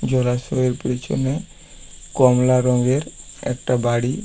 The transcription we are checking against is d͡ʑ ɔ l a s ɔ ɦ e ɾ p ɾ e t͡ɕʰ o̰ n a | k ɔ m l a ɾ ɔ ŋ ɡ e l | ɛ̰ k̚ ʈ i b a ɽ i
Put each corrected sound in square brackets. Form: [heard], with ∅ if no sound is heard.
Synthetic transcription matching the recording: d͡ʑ ɔ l a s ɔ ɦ e ɾ p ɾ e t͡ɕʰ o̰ n [e] | k ɔ m l a ɾ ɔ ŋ ɡ e [ɾ] | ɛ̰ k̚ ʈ [a] b a ɽ i